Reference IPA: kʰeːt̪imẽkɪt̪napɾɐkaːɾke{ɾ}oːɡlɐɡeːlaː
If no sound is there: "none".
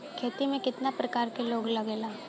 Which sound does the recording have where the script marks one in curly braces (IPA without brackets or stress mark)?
l